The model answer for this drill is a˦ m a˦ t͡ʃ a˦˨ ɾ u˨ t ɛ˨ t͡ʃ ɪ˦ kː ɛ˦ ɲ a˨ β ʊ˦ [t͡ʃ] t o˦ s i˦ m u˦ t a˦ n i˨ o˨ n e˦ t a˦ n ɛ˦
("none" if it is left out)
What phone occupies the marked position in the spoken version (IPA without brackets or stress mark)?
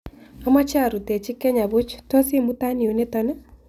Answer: t͡ʃ